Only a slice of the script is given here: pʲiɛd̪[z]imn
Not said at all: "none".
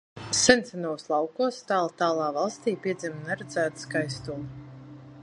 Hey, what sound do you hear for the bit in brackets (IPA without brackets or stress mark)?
z